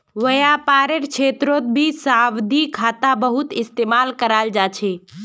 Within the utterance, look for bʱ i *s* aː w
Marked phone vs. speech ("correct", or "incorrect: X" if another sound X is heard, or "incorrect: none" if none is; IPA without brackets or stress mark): correct